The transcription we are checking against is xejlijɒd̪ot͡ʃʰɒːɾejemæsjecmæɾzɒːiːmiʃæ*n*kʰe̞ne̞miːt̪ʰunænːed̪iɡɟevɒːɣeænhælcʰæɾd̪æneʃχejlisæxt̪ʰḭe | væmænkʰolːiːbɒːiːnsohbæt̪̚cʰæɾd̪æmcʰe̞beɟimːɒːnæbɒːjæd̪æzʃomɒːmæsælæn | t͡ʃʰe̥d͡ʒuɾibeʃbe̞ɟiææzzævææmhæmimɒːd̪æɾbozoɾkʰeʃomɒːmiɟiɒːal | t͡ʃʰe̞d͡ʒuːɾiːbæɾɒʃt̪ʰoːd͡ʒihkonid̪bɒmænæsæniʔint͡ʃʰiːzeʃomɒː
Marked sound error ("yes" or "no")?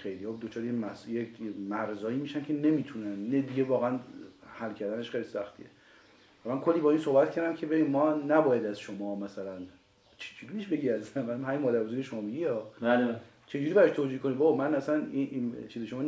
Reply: no